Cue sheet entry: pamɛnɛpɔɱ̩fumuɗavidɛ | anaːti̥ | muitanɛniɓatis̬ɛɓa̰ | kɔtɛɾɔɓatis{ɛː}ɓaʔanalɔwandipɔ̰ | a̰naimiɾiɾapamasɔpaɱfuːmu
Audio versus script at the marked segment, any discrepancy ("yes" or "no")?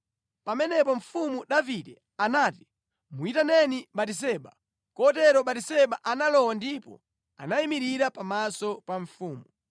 yes